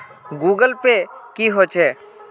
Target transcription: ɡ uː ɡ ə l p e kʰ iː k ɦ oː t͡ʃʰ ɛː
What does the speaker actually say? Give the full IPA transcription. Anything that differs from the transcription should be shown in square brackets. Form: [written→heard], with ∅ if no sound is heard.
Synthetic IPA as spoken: ɡ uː ɡ ə l p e [kʰ→k] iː [k→∅] ɦ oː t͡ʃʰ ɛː